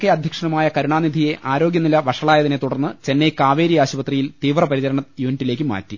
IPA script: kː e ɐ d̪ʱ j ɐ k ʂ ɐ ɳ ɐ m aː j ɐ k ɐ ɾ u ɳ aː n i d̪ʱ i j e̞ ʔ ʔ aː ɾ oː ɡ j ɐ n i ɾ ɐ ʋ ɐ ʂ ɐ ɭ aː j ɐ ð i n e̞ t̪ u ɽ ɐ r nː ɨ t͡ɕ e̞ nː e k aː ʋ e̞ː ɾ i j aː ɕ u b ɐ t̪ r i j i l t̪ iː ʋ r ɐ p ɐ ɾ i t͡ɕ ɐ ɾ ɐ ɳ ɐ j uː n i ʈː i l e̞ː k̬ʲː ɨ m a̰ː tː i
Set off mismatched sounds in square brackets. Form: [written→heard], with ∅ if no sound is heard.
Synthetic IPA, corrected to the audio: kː e ɐ d̪ʱ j ɐ k ʂ ɐ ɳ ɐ m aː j ɐ k ɐ ɾ u ɳ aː n i d̪ʱ i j e̞ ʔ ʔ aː ɾ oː ɡ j ɐ n i [ɾ→l] ɐ ʋ ɐ ʂ ɐ ɭ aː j ɐ ð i n e̞ t̪ u ɽ ɐ r nː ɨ t͡ɕ e̞ nː e k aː ʋ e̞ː ɾ i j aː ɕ u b ɐ t̪ r i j i l t̪ iː ʋ r ɐ p ɐ ɾ i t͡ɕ ɐ ɾ ɐ ɳ ɐ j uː n i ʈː i l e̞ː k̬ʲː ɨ m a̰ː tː i